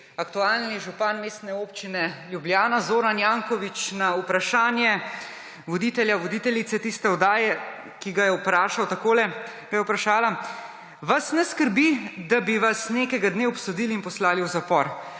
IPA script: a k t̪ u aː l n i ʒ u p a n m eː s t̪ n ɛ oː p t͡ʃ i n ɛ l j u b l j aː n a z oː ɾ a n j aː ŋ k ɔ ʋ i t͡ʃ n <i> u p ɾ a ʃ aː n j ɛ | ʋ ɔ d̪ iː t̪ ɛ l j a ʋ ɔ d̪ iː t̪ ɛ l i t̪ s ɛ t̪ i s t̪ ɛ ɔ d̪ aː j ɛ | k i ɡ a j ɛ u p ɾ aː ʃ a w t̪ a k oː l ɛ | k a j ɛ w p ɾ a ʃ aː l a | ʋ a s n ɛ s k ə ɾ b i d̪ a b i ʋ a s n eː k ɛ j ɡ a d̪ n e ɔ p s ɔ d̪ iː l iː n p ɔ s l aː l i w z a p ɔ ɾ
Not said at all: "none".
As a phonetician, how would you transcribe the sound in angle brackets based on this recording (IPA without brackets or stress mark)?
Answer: a